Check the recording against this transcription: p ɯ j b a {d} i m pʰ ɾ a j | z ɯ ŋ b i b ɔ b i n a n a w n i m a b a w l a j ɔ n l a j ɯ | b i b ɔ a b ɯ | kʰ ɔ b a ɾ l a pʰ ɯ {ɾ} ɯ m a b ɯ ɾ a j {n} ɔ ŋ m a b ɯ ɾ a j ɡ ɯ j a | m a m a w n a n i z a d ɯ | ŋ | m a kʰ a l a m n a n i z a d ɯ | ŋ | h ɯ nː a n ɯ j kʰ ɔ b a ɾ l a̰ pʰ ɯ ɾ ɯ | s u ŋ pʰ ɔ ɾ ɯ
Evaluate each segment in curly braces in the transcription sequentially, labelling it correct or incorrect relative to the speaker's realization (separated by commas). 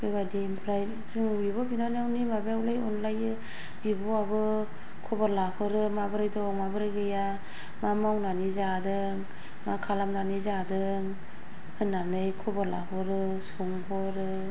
correct, correct, incorrect